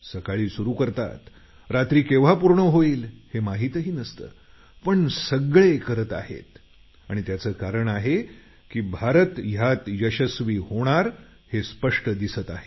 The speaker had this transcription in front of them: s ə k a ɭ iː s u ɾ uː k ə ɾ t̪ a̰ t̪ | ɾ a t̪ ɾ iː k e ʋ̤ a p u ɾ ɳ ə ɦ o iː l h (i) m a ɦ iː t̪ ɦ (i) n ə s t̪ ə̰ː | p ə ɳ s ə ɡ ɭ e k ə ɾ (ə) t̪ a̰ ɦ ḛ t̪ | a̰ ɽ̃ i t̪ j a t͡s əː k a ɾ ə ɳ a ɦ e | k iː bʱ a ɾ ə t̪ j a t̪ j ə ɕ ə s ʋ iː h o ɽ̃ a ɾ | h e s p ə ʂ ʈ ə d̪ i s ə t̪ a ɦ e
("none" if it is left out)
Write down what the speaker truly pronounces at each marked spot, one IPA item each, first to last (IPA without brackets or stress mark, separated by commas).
e, iː, ə